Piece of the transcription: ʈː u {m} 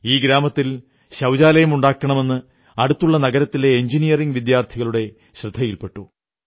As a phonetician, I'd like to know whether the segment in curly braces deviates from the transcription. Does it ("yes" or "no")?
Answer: yes